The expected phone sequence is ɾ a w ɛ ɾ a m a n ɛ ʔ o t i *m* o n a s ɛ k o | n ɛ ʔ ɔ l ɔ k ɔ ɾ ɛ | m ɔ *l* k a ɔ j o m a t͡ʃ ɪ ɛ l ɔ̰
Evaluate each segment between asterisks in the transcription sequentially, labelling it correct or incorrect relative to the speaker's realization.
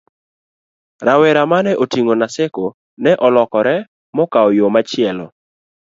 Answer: incorrect: ŋ, incorrect: none

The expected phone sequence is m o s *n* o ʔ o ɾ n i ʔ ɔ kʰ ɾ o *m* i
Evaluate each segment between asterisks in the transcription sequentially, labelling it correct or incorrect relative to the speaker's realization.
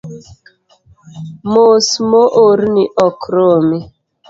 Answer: incorrect: m, correct

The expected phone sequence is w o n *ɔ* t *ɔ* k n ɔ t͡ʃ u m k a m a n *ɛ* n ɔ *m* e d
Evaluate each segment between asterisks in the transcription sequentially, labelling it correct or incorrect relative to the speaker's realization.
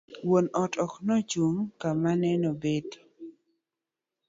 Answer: correct, correct, correct, incorrect: b

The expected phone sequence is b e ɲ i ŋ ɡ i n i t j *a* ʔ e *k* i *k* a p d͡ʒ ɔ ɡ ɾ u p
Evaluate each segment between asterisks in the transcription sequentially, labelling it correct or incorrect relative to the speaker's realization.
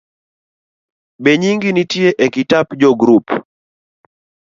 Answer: incorrect: e, correct, incorrect: t

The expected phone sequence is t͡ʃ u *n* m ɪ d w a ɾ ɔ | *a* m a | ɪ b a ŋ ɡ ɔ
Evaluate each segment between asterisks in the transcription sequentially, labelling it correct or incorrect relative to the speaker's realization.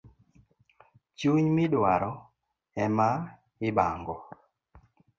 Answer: incorrect: ɲ, incorrect: ɛ

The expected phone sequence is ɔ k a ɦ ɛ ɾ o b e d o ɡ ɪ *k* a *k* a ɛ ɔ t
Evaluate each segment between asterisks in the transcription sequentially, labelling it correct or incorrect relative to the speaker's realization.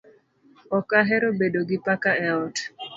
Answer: incorrect: p, correct

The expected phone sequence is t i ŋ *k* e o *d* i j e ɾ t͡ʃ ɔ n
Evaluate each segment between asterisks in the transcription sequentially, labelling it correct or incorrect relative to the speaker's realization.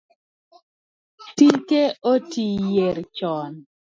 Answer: correct, incorrect: t

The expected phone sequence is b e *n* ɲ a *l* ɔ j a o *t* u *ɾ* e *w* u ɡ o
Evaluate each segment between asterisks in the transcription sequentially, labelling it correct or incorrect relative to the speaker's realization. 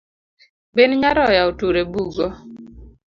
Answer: correct, incorrect: ɾ, correct, correct, incorrect: b

